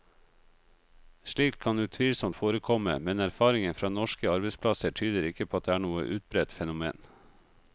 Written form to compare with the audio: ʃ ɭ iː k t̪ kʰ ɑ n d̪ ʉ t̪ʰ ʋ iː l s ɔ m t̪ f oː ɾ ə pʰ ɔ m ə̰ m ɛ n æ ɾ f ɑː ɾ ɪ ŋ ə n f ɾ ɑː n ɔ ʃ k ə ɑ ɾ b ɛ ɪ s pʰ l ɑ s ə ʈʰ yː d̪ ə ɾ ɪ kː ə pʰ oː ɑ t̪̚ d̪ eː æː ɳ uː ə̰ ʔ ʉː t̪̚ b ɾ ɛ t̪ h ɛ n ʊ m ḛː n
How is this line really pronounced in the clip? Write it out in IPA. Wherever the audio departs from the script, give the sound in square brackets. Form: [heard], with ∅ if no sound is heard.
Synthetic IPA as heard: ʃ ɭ iː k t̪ kʰ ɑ n d̪ [ʉː] t̪ʰ ʋ iː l s ɔ m t̪ f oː ɾ ə [kʰ] ɔ m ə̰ m ɛ n æ ɾ f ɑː ɾ ɪ ŋ ə n f ɾ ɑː n ɔ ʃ k ə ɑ ɾ b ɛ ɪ s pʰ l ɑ s ə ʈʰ yː d̪ ə ɾ ɪ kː ə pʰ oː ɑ t̪̚ d̪ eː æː ɳ uː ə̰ ʔ ʉː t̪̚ b ɾ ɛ t̪ [f] ɛ n ʊ m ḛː n